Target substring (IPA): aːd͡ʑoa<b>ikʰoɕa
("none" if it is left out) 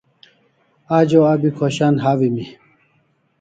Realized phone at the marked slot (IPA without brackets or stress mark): b